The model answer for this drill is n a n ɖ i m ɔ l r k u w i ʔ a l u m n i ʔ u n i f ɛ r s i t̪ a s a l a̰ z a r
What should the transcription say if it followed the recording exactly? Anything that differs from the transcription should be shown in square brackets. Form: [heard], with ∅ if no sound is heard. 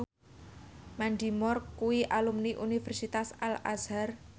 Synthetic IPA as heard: [m] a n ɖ i m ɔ [∅] r k u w i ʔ a l u m n i ʔ u n i f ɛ r s i t̪ a s a l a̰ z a r